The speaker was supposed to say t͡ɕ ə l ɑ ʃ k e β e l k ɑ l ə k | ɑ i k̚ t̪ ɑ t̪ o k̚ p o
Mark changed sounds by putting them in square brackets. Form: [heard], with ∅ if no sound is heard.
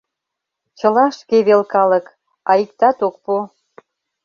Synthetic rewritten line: t͡ɕ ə l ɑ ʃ k e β e l k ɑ l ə k | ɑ i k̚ t̪ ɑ t̪ o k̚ p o